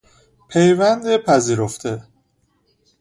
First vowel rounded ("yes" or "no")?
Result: no